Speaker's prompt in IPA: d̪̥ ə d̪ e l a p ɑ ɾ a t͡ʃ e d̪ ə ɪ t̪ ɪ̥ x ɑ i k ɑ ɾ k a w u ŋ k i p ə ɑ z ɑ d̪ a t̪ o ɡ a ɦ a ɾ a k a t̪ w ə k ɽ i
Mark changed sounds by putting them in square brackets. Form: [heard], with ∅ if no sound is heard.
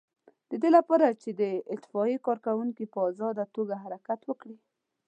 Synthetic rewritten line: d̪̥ ə d̪ e l a p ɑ ɾ a t͡ʃ e d̪ ə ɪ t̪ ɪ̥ [f] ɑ i k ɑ ɾ k a w u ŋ k i p ə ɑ z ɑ d̪ a t̪ o ɡ a ɦ a ɾ a k a t̪ w ə k ɽ i